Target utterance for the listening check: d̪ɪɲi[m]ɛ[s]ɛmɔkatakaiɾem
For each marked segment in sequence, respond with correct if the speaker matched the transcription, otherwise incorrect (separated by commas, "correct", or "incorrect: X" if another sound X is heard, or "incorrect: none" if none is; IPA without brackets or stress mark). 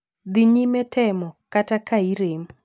correct, incorrect: t